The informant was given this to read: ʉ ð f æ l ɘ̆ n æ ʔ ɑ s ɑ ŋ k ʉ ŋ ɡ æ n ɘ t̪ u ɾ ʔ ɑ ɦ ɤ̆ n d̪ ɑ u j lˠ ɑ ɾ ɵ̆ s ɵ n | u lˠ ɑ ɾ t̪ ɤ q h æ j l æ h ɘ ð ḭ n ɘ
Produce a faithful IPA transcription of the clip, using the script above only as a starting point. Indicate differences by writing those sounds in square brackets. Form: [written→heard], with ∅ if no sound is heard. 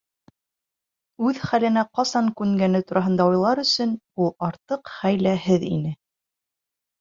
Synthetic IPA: ʉ ð [f→χ] æ l ɘ̆ n æ [ʔ→q] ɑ s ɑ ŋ k ʉ ŋ ɡ æ n ɘ t̪ u ɾ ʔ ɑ ɦ ɤ̆ n d̪ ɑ u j lˠ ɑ ɾ ɵ̆ s ɵ n | u lˠ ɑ ɾ t̪ ɤ q [h→χ] æ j l æ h ɘ ð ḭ n ɘ